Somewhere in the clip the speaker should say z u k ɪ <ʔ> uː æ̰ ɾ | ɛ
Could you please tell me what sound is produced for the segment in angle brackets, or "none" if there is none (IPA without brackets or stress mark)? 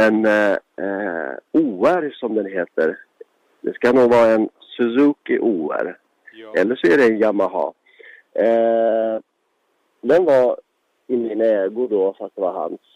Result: ʔ